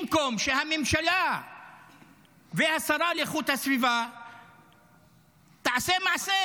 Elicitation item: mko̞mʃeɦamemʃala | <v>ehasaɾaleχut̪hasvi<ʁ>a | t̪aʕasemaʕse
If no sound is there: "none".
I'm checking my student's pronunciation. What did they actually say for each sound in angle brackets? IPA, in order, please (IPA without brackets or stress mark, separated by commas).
v, v